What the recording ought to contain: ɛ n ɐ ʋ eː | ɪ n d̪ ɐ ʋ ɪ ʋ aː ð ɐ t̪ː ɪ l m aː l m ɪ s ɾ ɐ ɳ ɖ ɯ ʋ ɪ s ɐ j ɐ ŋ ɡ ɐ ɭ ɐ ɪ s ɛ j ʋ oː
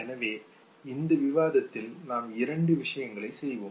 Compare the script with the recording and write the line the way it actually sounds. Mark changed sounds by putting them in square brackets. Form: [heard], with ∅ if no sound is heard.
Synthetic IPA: ɛ n ɐ ʋ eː | ɪ n d̪ ɐ ʋ ɪ ʋ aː ð ɐ t̪ː ɪ l [n] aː [∅] m ɪ [∅] ɾ ɐ ɳ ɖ ɯ ʋ ɪ [ʂ] ɐ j ɐ ŋ ɡ ɐ ɭ ɐ ɪ s ɛ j ʋ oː